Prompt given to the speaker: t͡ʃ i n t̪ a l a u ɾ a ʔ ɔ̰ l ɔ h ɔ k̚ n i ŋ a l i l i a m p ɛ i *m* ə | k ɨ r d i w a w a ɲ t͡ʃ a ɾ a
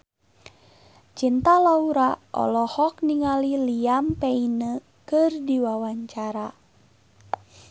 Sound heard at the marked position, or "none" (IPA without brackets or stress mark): n